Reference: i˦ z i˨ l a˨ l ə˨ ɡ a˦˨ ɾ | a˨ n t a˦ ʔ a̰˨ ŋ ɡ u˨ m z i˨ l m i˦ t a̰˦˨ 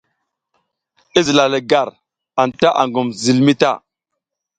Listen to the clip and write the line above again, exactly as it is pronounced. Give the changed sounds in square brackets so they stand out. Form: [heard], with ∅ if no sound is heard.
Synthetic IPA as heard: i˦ z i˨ l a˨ l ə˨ ɡ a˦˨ ɾ | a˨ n t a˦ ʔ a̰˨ ŋ ɡ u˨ m z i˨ l m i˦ t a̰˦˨